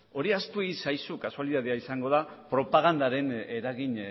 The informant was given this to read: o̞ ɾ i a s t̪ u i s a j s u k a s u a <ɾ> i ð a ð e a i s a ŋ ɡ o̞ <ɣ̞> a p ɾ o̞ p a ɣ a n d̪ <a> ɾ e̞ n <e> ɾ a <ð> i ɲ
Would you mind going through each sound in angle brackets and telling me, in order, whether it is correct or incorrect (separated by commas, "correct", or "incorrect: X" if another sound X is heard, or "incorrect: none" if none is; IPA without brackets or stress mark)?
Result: incorrect: l, incorrect: ð̞, correct, correct, incorrect: ɣ